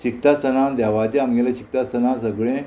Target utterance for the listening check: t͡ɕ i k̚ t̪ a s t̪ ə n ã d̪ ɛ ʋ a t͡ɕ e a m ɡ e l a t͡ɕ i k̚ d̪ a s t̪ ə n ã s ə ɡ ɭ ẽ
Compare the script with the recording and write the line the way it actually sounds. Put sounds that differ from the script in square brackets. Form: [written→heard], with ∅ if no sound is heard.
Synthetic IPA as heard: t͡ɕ i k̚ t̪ a s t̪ ə n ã d̪ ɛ ʋ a t͡ɕ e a m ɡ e l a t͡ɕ i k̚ [d̪→t̪] a s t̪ ə n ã s ə ɡ ɭ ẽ